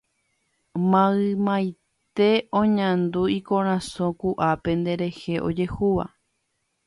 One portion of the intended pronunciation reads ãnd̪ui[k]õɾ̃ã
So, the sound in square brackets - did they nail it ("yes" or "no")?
yes